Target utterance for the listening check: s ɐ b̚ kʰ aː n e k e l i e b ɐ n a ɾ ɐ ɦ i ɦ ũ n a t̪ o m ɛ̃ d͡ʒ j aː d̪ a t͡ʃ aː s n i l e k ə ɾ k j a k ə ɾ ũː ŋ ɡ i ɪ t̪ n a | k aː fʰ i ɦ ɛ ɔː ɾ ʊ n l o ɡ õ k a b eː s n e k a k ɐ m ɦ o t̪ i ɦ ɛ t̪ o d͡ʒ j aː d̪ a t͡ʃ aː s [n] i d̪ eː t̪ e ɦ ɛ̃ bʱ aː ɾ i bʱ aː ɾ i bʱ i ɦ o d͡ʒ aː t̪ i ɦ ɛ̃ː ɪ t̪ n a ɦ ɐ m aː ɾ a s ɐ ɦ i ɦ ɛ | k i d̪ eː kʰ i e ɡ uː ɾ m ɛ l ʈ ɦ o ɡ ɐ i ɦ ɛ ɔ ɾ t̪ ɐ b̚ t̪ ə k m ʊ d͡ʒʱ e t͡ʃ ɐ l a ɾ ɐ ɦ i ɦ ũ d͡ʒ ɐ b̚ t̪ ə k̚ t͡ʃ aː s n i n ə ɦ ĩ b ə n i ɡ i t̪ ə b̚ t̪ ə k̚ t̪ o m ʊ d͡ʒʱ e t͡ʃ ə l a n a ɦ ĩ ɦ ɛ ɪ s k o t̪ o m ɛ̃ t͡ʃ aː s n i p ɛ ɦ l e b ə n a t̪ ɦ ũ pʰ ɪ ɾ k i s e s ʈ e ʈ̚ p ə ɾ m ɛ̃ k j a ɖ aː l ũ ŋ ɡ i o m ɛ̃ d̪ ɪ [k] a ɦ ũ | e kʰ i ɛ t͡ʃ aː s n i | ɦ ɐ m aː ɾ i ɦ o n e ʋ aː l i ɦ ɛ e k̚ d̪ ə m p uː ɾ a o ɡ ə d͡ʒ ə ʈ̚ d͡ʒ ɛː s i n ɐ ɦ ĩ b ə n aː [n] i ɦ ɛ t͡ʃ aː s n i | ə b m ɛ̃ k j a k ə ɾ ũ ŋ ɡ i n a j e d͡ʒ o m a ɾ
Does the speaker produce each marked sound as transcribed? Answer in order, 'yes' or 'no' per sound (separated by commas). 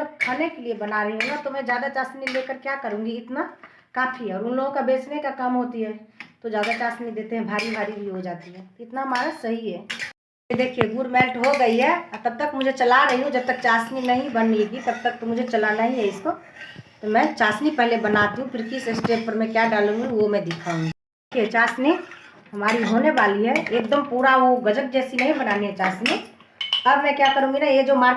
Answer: yes, no, yes